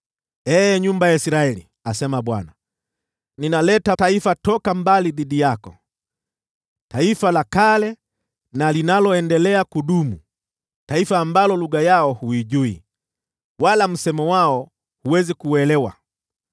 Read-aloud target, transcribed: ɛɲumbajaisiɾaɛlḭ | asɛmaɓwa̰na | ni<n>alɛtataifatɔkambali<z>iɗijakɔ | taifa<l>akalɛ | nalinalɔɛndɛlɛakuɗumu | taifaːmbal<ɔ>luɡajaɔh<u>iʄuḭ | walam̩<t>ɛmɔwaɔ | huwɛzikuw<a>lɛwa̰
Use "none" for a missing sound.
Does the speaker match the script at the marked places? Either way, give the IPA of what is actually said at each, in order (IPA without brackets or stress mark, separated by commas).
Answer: n, ð, l, ɔ, u, s, ɛ